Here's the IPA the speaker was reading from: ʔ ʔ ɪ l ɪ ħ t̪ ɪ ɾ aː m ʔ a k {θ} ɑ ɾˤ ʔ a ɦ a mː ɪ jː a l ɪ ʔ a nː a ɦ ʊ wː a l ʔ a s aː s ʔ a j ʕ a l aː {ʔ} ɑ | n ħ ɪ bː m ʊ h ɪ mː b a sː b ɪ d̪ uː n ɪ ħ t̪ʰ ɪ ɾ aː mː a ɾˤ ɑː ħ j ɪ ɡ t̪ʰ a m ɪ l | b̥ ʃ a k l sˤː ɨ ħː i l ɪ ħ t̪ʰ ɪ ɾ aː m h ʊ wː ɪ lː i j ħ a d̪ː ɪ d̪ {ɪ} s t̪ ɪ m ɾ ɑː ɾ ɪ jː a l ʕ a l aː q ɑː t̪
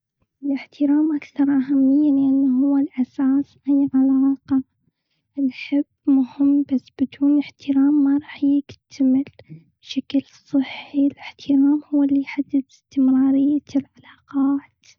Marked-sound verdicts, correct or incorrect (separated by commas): correct, incorrect, correct